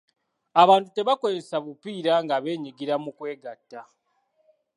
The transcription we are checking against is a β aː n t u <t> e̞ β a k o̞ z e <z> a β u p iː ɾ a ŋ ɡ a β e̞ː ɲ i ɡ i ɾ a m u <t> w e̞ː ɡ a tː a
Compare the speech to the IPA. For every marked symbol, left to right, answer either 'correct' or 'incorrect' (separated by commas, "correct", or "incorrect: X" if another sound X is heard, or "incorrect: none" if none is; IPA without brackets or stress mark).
correct, incorrect: s, incorrect: k